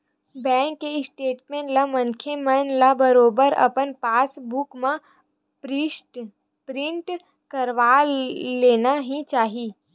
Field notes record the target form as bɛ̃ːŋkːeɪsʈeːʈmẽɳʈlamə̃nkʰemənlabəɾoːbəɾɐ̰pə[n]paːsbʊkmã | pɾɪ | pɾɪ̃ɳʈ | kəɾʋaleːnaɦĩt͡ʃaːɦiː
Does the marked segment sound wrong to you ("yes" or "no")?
no